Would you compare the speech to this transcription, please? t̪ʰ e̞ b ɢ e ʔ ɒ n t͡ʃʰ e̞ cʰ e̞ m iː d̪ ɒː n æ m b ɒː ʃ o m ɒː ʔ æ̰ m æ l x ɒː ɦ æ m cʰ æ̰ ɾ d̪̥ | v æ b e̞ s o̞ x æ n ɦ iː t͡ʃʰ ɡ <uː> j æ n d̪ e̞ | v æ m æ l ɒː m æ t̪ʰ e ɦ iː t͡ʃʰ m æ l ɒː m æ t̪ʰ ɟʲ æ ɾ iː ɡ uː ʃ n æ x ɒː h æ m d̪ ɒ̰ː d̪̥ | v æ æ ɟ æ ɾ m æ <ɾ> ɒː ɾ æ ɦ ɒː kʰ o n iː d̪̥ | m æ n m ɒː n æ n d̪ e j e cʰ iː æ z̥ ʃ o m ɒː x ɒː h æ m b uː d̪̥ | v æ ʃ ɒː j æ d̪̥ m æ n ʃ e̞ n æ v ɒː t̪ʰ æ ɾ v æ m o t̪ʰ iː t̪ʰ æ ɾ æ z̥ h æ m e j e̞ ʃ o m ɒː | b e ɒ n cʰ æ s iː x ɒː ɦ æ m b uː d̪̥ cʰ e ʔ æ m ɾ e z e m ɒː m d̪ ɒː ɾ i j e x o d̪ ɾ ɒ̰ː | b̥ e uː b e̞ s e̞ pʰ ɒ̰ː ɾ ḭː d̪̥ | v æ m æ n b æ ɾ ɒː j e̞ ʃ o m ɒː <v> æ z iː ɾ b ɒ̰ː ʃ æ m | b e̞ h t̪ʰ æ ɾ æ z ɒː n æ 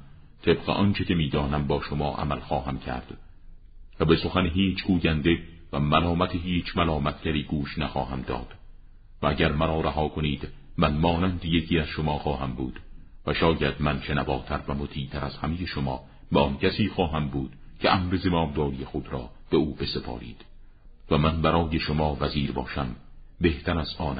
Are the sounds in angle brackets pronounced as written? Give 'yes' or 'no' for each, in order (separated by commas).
yes, yes, yes